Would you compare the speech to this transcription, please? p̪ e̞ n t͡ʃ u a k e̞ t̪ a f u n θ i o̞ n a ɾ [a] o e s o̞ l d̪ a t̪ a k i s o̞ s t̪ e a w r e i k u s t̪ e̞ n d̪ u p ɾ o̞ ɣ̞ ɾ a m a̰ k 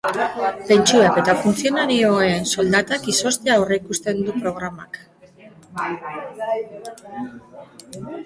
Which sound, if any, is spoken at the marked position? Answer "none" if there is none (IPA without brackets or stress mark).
i